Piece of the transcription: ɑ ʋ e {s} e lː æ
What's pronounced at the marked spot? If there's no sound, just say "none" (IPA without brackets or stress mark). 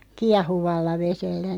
s